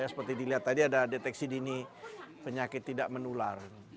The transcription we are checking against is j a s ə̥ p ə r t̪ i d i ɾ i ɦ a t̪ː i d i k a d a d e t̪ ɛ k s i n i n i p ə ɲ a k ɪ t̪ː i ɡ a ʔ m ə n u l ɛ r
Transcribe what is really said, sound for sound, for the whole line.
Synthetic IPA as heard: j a s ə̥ p ə r t̪ i d i l i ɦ a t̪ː a d i a d a d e t̪ ɛ k s i d i n i p ə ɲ a k ɪ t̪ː i d a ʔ m ə n u l a r